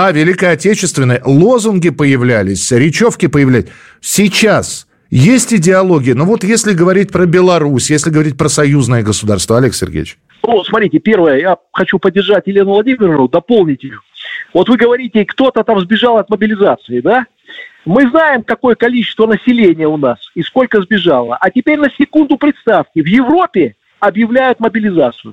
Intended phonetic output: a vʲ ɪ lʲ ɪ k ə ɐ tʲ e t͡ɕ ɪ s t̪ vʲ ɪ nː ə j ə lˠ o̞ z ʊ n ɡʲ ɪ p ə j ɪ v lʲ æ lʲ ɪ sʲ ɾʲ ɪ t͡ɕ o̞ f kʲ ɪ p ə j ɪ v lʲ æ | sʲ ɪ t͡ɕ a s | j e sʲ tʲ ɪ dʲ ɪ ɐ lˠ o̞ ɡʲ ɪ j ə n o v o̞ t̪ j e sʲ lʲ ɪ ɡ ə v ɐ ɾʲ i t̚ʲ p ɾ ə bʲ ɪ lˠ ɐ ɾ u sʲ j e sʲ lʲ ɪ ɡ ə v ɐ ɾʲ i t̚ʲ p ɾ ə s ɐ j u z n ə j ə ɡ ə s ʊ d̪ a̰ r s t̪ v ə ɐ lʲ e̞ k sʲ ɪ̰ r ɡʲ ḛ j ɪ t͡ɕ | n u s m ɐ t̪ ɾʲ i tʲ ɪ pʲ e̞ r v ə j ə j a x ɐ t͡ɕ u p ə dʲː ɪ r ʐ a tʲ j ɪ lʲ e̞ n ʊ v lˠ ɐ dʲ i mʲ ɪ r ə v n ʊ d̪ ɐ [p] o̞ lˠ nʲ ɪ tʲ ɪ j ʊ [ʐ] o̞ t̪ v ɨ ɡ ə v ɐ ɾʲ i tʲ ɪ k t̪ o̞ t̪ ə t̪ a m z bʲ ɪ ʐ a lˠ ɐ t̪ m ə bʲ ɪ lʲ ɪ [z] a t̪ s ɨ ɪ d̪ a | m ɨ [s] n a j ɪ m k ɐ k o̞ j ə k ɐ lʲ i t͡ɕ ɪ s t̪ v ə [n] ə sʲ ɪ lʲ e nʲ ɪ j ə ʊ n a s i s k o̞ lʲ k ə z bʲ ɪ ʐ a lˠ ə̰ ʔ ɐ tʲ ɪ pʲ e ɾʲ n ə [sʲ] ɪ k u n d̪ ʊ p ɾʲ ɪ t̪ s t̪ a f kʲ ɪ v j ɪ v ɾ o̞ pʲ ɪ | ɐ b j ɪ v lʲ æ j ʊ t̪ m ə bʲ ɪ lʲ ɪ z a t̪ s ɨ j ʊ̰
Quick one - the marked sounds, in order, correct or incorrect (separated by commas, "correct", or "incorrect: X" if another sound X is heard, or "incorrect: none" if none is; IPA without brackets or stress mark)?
correct, incorrect: v, correct, incorrect: z, correct, correct